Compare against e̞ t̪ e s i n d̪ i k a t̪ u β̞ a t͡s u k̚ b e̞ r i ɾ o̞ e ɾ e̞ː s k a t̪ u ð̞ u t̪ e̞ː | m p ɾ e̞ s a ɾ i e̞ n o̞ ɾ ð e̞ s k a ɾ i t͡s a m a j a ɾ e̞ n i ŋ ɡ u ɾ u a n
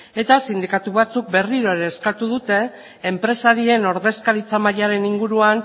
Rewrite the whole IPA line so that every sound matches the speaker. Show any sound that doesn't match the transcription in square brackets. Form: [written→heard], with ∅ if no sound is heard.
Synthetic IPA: e̞ t̪ [e→a] s i n d̪ i k a t̪ u β̞ a t͡s u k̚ b e̞ r i ɾ o̞ e ɾ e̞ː s k a t̪ u ð̞ u t̪ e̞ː | m p ɾ e̞ s a ɾ i e̞ n o̞ ɾ ð e̞ s k a ɾ i t͡s a m a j a ɾ e̞ n i ŋ ɡ u ɾ u a n

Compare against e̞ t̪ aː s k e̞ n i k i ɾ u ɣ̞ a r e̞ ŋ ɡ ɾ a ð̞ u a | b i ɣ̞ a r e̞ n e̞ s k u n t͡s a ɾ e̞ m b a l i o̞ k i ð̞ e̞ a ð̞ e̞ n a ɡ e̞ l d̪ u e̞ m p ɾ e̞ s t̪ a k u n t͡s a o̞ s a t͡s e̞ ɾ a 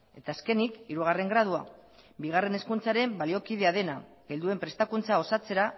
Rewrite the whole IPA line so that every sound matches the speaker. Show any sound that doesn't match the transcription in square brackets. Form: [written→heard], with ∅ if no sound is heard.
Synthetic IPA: e̞ t̪ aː s k e̞ n i k i ɾ u ɣ̞ a r e̞ ŋ ɡ ɾ a ð̞ u a | b i ɣ̞ a r e̞ n e̞ s k u n t͡s a ɾ e̞ m b a l i o̞ k i ð̞ e̞ a ð̞ e̞ n a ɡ e̞ l d̪ u e̞ m p ɾ e̞ s t̪ a k u n t͡s a o̞ s a t͡s e̞ ɾ a

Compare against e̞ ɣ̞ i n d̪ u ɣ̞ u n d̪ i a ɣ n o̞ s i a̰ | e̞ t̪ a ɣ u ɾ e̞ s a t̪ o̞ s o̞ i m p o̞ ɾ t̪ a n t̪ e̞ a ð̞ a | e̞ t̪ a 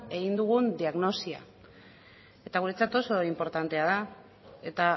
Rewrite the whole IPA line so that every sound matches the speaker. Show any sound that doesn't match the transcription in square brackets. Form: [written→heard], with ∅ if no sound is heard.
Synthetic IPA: e̞ ɣ̞ i n d̪ u ɣ̞ u n d̪ i a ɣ n o̞ s i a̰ | e̞ t̪ a ɣ u ɾ e̞ [s→t͡s] a t̪ o̞ s o̞ i m p o̞ ɾ t̪ a n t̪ e̞ a ð̞ a | e̞ t̪ a

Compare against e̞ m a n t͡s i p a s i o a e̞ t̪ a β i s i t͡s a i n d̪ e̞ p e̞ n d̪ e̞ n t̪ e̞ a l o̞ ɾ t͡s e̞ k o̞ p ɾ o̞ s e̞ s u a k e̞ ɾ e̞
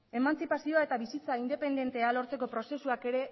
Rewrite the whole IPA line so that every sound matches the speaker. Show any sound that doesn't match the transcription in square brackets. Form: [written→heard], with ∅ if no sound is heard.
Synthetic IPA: e̞ m a n t͡s i p a s i o a e̞ t̪ a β i s i t͡s a i n d̪ e̞ p e̞ n d̪ e̞ n t̪ e̞ a l o̞ ɾ t͡s e̞ k o̞ p ɾ o̞ s e̞ s u a k e̞ ɾ e̞

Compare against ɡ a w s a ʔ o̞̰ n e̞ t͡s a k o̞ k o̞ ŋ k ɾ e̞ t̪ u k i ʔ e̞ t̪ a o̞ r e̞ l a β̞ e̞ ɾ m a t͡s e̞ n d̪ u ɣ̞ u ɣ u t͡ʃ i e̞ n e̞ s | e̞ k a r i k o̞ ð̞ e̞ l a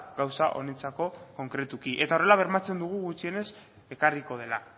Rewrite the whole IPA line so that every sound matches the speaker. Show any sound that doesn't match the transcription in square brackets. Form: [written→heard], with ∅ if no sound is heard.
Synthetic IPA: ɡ a w s a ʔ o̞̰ n e̞ t͡s a k o̞ k o̞ ŋ k ɾ e̞ t̪ u k i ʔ e̞ t̪ a o̞ r e̞ l a β̞ e̞ ɾ m a t͡s e̞ n d̪ u ɣ̞ u ɣ u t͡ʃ i e̞ n e̞ s | e̞ k a r i k o̞ ð̞ e̞ l a

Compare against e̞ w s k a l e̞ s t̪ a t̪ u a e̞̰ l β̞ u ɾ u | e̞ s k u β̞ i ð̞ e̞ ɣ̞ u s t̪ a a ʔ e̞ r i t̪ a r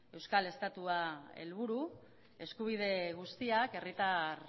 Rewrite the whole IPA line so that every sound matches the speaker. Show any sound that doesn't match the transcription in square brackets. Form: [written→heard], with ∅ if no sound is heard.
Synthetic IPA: e̞ w s k a l e̞ s t̪ a t̪ u a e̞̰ l β̞ u ɾ u | e̞ s k u β̞ i ð̞ e̞ ɣ̞ u s t̪ [a→i] a [ʔ→k] e̞ r i t̪ a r

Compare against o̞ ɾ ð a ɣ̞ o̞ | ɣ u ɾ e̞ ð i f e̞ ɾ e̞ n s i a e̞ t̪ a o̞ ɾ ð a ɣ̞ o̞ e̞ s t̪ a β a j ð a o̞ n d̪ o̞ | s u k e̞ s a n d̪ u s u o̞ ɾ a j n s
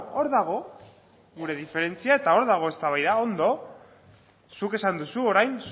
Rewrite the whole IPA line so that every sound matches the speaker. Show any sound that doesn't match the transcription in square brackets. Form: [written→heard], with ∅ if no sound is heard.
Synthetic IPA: o̞ ɾ ð a ɣ̞ o̞ | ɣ u ɾ e̞ ð i f e̞ ɾ e̞ n [s→t͡s] i a e̞ t̪ a o̞ ɾ ð a ɣ̞ o̞ e̞ s t̪ a β a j ð a o̞ n d̪ o̞ | s u k e̞ s a n d̪ u s u o̞ ɾ a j n s

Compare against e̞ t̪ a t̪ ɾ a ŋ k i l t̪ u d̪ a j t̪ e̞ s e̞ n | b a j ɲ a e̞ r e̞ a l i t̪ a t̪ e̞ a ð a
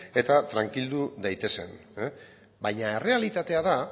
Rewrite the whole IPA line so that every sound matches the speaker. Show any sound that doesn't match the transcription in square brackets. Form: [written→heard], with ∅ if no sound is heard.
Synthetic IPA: e̞ t̪ a t̪ ɾ a ŋ k i l [t̪→d̪] u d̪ a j t̪ e̞ s e̞ n | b a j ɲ a e̞ r e̞ a l i t̪ a t̪ e̞ a ð a

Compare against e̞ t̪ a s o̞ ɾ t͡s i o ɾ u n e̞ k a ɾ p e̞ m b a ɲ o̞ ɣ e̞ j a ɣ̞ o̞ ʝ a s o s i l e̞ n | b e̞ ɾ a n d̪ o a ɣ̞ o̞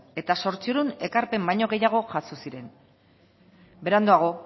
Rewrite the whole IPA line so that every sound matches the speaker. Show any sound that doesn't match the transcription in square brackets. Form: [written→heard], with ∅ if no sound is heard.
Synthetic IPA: e̞ t̪ a s o̞ ɾ t͡s i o ɾ u n e̞ k a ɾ p e̞ m b a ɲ o̞ ɣ e̞ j a ɣ̞ o̞ ʝ a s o s i [l→ɾ] e̞ n | b e̞ ɾ a n d̪ o a ɣ̞ o̞

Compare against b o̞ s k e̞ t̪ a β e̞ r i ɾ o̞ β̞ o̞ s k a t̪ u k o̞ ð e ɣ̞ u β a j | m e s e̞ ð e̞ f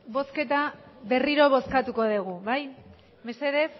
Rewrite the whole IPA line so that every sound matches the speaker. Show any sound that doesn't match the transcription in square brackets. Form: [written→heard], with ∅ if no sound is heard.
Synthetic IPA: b o̞ s k e̞ t̪ a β e̞ r i ɾ o̞ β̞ o̞ s k a t̪ u k o̞ ð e ɣ̞ u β a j | m e s e̞ ð e̞ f

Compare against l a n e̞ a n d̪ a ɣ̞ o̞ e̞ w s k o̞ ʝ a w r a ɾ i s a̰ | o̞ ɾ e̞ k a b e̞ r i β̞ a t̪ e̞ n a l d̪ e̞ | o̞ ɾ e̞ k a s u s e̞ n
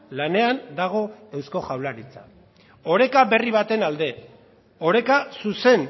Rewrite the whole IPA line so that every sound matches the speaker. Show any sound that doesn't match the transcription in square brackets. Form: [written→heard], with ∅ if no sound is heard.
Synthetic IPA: l a n e̞ a n d̪ a ɣ̞ o̞ e̞ w s k o̞ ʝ a w [r→l] a ɾ i [s→t͡s] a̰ | o̞ ɾ e̞ k a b e̞ r i β̞ a t̪ e̞ n a l d̪ e̞ | o̞ ɾ e̞ k a s u s e̞ n

